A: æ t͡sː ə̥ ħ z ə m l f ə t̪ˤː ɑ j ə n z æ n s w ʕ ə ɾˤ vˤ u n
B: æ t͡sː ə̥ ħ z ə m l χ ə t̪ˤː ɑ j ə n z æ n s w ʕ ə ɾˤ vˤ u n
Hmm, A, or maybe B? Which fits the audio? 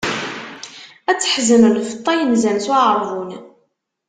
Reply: A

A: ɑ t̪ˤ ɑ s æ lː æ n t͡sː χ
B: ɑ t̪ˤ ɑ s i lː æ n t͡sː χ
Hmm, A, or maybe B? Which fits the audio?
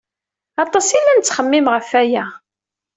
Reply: B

